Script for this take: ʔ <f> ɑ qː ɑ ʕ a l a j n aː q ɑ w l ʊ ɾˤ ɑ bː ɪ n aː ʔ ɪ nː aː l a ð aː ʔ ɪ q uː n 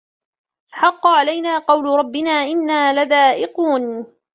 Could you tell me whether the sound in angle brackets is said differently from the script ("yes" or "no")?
yes